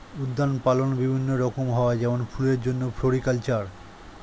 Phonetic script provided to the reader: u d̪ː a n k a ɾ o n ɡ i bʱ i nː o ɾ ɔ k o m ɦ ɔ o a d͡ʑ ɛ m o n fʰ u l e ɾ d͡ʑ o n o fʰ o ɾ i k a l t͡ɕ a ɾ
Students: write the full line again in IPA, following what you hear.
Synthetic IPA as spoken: u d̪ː a n p a l o n b i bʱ i nː o ɾ ɔ k o m ɦ ɔ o a d͡ʑ ɛ m o n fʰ u l e ɾ d͡ʑ o nː o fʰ o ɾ i k a l t͡ɕ a ɾ